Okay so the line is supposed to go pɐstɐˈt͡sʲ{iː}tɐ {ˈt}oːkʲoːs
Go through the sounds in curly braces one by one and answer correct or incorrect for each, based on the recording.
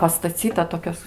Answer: correct, correct

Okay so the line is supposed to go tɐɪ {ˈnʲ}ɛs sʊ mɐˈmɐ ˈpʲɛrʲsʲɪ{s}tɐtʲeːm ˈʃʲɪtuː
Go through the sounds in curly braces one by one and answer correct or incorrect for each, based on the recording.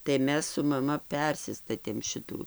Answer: incorrect: mʲ, correct

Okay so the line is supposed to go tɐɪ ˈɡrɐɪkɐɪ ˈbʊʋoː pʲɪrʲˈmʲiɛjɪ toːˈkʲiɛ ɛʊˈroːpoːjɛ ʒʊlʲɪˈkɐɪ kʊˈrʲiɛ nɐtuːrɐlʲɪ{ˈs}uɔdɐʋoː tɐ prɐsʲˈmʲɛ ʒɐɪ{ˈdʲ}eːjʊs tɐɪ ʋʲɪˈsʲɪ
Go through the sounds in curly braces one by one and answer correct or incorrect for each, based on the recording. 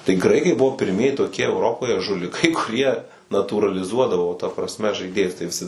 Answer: incorrect: z, correct

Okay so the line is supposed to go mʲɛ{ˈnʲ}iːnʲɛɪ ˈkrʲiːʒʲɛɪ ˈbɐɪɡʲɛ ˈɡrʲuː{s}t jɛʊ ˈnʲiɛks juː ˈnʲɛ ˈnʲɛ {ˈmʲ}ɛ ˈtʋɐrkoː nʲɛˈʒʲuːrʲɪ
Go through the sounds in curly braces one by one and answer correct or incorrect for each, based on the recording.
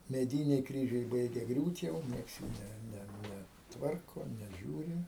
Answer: incorrect: dʲ, incorrect: none, incorrect: nʲ

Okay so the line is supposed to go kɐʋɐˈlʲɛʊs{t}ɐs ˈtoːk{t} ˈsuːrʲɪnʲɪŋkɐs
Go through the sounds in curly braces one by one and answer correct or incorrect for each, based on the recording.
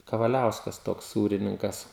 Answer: incorrect: k, incorrect: s

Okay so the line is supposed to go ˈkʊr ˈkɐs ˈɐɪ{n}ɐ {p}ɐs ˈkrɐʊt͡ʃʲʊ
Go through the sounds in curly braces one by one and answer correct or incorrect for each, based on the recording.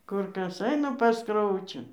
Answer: correct, correct

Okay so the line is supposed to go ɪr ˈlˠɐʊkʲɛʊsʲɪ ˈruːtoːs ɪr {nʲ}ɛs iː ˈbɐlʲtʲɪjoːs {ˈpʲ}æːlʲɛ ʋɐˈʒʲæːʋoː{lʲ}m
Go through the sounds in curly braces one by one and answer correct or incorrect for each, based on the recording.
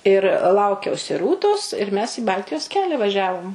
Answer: incorrect: mʲ, incorrect: kʲ, incorrect: none

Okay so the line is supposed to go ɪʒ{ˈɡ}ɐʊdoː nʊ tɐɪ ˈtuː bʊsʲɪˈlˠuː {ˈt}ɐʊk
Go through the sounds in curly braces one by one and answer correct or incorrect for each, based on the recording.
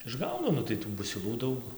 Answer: correct, incorrect: d

